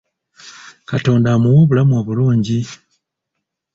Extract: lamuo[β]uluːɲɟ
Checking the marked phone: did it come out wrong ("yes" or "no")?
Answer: no